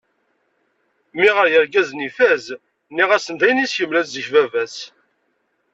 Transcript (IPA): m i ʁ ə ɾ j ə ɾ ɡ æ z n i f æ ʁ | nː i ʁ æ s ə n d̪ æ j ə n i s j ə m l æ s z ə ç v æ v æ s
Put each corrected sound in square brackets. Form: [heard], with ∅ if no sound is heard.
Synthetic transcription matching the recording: m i ʁ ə ɾ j ə ɾ ɡ æ z n i f æ [z] | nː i ʁ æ s ə n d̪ æ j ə n i s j ə m l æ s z ə ç v æ v æ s